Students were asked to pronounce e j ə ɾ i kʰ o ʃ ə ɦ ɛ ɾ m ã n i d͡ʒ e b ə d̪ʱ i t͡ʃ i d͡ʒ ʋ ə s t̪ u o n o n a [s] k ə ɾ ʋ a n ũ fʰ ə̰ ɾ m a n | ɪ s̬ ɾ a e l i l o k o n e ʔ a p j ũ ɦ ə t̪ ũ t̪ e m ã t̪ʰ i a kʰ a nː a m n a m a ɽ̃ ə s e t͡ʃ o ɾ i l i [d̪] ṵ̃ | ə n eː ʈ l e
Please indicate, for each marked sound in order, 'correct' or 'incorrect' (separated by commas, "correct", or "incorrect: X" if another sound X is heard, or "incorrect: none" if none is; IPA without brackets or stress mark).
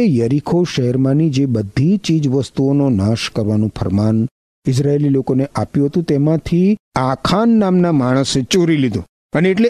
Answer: incorrect: ʃ, correct